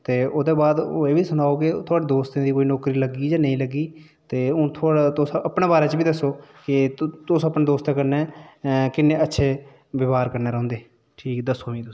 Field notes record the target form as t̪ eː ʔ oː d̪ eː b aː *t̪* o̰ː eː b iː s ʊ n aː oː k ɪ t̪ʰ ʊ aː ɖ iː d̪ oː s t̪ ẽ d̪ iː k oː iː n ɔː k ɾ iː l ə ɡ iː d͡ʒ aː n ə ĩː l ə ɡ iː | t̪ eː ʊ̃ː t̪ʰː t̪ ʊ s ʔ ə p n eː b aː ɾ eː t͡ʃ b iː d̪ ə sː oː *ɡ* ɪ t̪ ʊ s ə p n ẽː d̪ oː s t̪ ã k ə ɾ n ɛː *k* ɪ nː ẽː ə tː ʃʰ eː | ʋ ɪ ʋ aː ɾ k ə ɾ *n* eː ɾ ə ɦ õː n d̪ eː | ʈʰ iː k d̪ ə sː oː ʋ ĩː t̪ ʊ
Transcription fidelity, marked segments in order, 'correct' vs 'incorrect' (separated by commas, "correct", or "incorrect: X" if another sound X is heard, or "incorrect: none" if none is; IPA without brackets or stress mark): incorrect: d̪, incorrect: k, correct, correct